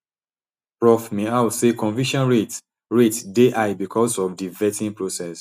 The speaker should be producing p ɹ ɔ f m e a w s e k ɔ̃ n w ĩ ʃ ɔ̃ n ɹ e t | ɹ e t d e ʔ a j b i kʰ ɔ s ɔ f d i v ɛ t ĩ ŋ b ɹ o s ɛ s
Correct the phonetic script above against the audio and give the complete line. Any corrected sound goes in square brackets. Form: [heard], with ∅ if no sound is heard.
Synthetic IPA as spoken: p ɹ ɔ f m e a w s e k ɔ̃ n [v] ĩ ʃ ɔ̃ n ɹ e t | ɹ e t d e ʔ a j b i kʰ ɔ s ɔ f d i v ɛ t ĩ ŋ [p] ɹ o s ɛ s